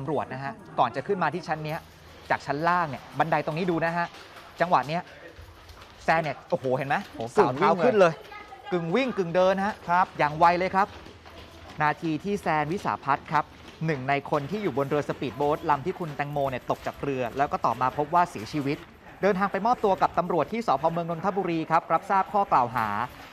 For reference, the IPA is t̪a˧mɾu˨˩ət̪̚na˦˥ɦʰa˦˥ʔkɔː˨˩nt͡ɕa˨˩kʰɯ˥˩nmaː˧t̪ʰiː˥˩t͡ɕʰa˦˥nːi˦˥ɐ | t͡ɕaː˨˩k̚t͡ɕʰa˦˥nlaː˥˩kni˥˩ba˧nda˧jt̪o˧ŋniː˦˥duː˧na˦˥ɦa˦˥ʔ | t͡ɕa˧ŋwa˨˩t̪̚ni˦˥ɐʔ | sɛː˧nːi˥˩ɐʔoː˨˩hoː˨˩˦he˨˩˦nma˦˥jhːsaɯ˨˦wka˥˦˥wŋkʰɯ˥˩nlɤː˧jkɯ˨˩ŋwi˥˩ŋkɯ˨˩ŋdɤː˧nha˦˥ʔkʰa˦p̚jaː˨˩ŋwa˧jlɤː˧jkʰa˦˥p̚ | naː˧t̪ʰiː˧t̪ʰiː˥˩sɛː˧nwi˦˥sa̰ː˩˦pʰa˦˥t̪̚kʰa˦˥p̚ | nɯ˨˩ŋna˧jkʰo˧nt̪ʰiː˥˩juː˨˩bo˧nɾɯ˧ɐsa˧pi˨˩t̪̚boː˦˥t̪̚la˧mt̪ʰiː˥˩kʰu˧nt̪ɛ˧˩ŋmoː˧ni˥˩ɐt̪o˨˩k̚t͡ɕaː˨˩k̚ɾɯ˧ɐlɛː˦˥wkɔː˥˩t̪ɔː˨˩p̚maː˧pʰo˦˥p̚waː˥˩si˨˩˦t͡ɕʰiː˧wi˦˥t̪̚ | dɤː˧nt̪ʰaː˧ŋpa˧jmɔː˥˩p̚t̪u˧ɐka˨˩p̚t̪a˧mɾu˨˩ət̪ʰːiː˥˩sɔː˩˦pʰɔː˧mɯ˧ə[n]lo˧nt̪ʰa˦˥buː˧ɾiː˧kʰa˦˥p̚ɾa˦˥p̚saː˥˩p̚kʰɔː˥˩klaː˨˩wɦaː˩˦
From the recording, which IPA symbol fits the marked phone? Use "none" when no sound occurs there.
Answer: ŋ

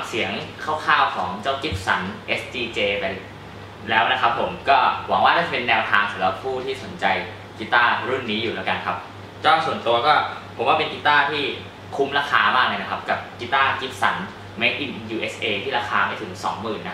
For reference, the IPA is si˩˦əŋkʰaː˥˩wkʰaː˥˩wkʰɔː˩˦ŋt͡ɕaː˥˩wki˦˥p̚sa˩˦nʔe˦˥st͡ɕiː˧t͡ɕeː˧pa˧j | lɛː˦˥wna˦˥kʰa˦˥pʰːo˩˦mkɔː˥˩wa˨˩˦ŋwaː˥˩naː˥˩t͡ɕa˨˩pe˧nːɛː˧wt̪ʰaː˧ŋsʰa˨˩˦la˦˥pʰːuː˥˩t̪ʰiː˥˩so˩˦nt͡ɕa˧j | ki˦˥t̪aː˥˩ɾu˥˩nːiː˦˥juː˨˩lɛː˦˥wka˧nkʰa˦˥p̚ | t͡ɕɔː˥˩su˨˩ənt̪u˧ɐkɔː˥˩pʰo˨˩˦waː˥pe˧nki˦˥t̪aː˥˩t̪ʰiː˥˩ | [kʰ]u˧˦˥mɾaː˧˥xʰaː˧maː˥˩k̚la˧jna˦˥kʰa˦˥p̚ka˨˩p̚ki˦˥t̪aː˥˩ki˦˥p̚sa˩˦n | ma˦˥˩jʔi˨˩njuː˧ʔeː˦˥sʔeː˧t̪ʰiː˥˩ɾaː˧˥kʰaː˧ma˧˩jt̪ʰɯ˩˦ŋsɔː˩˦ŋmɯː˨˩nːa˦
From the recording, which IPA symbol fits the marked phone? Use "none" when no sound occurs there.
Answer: kʰ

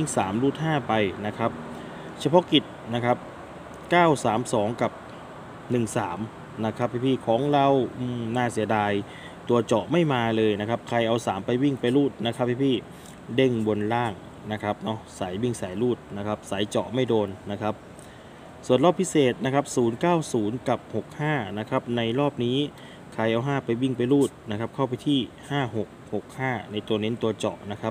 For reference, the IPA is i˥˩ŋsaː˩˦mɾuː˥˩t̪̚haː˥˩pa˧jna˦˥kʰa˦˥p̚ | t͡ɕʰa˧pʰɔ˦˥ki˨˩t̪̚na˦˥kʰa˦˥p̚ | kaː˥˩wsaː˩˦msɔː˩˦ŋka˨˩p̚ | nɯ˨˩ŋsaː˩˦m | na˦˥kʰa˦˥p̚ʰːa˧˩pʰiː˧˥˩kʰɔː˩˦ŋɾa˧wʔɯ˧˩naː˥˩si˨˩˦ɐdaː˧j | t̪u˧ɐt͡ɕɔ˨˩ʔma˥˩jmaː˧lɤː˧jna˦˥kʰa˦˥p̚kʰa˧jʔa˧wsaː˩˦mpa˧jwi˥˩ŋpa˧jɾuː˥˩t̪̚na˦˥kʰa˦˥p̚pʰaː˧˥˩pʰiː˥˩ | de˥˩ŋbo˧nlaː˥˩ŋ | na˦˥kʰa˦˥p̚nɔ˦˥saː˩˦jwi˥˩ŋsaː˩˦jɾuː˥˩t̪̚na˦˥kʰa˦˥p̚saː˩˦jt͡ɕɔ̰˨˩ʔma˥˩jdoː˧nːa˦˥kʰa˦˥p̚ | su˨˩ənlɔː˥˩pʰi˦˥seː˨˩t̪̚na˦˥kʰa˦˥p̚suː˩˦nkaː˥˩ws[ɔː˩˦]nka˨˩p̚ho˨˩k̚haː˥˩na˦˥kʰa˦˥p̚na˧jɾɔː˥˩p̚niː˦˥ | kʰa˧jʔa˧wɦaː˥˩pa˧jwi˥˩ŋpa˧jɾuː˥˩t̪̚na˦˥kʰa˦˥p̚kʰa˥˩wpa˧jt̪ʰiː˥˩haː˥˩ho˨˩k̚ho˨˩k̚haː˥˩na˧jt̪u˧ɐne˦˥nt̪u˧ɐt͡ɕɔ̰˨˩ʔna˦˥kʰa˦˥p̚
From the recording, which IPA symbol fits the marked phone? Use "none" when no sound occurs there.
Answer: uː˩˦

